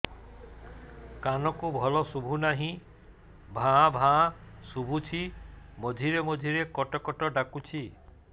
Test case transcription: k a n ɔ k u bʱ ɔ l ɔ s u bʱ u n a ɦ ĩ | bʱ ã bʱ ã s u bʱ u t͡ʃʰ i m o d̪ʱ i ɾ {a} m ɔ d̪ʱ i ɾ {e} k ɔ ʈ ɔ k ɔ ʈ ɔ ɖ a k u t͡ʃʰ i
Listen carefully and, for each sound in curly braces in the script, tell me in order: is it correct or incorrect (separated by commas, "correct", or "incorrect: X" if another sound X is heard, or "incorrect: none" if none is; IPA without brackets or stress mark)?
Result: incorrect: e, correct